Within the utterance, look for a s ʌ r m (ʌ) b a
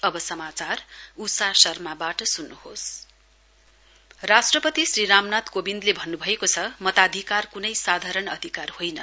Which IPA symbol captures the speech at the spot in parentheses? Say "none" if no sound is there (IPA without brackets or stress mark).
a